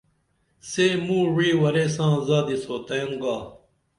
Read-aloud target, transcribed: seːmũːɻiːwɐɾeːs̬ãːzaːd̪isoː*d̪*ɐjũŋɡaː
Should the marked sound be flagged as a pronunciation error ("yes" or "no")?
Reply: yes